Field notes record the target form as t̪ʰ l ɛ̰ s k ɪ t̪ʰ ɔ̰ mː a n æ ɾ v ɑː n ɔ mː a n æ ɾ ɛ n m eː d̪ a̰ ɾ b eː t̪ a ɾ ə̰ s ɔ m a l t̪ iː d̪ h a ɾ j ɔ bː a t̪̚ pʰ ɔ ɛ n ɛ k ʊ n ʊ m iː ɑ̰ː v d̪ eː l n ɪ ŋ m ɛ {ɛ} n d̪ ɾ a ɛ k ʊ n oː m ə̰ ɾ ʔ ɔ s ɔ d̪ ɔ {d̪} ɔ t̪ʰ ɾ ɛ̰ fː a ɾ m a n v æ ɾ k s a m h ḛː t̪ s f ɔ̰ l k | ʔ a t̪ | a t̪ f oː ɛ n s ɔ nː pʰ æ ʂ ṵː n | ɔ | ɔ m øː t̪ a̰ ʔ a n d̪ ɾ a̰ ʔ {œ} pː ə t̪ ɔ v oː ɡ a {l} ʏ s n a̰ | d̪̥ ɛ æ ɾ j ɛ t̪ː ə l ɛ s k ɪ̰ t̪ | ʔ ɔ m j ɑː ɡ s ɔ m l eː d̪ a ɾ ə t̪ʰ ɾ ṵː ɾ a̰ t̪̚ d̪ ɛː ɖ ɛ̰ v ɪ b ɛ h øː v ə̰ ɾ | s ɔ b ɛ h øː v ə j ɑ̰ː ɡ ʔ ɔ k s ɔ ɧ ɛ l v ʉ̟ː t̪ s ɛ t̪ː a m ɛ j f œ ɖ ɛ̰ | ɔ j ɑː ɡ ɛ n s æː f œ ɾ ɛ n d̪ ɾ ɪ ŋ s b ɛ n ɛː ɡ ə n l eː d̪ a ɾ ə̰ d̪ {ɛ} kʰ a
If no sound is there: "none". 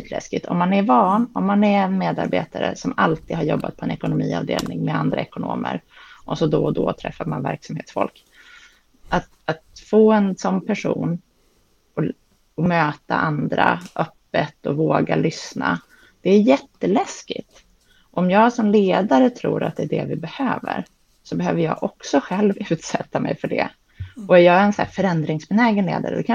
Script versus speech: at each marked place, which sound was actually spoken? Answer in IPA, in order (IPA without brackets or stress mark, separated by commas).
a, d̪, œ, l, ɛ